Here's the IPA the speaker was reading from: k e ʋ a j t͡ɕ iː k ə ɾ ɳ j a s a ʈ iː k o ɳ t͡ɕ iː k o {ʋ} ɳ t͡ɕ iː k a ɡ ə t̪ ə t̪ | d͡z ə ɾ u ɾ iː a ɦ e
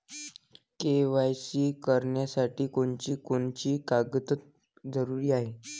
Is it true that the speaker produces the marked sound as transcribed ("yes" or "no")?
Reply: no